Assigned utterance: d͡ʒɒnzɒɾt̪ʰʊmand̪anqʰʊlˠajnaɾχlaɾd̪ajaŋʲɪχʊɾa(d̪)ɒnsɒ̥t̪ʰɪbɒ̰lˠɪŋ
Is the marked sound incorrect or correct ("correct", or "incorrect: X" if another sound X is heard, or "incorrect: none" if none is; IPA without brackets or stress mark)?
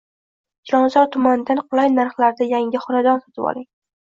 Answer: correct